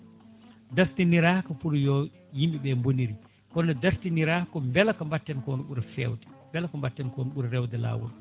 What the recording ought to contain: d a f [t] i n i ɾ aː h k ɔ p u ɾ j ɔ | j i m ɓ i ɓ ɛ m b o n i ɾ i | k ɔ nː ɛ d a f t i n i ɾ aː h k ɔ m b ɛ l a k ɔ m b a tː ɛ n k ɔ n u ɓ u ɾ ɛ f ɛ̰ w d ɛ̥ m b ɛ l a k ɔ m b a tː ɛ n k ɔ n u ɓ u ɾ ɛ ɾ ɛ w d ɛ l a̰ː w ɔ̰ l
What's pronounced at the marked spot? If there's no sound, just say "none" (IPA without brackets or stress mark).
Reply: t